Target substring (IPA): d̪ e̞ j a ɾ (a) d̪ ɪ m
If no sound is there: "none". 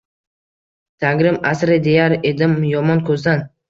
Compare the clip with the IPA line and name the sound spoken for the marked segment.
e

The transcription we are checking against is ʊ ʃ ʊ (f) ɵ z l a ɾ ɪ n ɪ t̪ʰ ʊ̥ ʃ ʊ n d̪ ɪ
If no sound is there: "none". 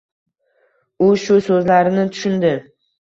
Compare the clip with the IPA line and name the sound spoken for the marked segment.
s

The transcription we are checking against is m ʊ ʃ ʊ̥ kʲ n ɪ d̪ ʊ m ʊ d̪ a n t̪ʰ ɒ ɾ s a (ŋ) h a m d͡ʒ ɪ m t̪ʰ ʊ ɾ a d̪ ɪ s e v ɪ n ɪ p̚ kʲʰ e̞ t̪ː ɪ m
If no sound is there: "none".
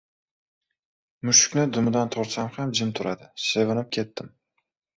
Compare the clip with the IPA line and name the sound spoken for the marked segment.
m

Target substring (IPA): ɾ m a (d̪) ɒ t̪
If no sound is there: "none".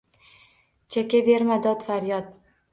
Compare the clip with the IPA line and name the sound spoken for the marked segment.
d̪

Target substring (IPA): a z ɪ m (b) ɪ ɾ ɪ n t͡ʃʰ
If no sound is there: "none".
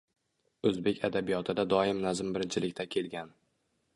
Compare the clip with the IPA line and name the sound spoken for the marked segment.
b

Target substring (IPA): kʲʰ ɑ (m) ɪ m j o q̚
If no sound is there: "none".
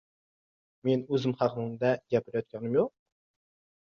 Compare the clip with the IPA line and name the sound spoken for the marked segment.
n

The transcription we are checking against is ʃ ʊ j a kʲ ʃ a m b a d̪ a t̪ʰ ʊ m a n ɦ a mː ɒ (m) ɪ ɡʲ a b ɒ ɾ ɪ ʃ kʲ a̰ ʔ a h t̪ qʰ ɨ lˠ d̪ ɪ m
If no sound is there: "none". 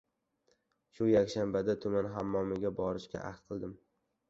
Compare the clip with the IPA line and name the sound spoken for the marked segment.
m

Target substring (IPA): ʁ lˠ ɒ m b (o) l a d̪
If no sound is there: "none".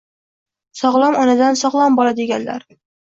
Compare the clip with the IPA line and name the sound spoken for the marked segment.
ɒ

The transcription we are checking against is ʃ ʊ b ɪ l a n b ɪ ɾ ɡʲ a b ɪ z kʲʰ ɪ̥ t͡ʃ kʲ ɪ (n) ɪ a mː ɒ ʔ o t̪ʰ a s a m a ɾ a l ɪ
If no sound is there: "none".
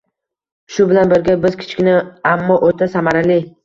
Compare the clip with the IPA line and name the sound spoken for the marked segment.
n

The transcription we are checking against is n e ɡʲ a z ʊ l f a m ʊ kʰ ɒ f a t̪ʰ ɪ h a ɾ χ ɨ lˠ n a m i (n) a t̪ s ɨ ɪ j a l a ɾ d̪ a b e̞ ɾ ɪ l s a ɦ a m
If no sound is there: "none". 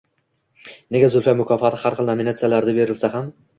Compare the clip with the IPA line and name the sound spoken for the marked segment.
n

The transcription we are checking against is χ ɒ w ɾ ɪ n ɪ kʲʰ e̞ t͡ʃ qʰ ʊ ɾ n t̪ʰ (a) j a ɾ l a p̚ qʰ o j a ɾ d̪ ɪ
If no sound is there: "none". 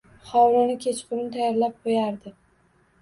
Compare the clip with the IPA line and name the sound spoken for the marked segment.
a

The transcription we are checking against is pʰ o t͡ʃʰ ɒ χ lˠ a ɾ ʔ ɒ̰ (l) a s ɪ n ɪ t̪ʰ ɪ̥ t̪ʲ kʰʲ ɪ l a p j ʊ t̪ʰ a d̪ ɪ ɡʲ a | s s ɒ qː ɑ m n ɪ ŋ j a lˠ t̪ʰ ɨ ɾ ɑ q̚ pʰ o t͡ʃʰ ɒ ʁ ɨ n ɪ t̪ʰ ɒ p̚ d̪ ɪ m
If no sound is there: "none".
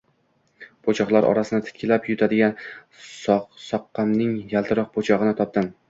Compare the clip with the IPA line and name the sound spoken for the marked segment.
ɾ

